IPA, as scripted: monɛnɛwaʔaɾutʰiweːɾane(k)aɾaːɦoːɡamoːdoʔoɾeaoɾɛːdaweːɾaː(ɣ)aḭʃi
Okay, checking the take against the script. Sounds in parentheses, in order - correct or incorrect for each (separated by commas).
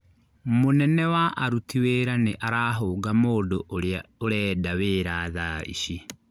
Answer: incorrect, incorrect